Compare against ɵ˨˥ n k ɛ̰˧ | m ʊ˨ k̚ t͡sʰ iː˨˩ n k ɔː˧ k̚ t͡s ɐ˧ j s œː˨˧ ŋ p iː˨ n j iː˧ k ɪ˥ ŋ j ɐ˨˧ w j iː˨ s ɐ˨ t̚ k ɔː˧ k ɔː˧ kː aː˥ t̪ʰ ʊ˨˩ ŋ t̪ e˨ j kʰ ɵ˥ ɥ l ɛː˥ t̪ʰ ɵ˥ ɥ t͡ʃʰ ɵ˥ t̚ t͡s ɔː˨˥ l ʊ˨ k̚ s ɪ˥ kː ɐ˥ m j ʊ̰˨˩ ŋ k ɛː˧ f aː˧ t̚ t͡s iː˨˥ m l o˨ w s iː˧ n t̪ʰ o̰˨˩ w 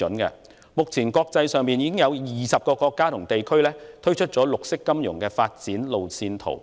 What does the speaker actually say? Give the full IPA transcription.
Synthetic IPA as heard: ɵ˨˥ n k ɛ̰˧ | m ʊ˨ k̚ t͡sʰ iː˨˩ n k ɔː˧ k̚ t͡s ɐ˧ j s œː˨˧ ŋ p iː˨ n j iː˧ k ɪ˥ ŋ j ɐ˨˧ w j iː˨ s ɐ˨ p̚ k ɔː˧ k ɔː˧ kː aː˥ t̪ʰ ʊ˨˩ ŋ t̪ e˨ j kʰ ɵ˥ ɥ l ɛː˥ t̪ʰ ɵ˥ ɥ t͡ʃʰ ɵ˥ t̚ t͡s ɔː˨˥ l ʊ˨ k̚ s ɪ˥ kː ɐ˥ m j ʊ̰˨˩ ŋ k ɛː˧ f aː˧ t̚ t͡s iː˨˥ n l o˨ w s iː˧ n t̪ʰ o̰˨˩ w